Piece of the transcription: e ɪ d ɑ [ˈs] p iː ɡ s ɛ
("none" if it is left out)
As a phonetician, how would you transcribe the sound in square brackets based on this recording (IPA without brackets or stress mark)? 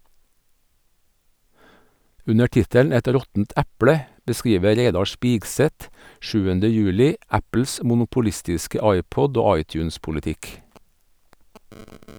ʃ